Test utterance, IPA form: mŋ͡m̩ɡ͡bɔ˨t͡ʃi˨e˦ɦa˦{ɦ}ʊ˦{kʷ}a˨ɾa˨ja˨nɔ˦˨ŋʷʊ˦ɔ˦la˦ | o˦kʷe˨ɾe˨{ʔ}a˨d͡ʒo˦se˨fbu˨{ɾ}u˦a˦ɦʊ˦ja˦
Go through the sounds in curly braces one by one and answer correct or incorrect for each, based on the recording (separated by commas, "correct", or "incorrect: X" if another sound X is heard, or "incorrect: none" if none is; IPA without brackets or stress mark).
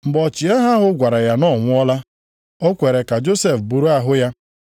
correct, incorrect: ɡʷ, incorrect: k, correct